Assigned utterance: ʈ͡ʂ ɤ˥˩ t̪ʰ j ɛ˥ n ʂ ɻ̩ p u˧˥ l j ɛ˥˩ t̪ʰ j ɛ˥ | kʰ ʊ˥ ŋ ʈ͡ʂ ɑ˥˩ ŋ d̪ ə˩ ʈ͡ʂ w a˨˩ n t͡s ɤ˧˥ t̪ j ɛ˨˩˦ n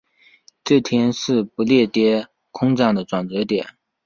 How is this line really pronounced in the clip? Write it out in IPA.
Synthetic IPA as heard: ʈ͡ʂ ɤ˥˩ t̪ʰ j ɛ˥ n ʂ ɻ̩ p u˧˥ l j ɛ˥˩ t̪ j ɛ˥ | kʰ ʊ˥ ŋ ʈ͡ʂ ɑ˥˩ ŋ d̪ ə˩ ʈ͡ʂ w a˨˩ n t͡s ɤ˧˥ t̪ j ɛ˨˩˦ n